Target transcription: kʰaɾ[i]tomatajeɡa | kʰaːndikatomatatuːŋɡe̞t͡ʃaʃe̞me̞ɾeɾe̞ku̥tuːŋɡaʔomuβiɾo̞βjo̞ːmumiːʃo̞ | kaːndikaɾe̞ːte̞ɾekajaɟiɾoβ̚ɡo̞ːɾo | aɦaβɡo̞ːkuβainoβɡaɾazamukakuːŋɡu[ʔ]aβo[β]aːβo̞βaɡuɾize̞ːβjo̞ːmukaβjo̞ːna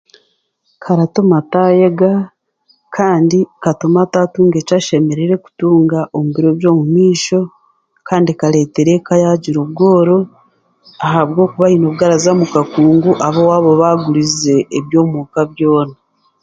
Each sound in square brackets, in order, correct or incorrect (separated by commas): incorrect, correct, incorrect